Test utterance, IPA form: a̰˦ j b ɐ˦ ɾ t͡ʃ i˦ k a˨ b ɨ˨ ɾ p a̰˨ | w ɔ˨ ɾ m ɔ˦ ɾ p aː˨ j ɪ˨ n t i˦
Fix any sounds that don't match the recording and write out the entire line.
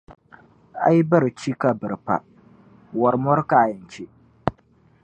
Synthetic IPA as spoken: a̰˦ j b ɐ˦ ɾ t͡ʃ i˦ k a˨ b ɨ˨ ɾ p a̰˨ | w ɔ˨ ɾ m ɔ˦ ɾ k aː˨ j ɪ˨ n t͡ʃ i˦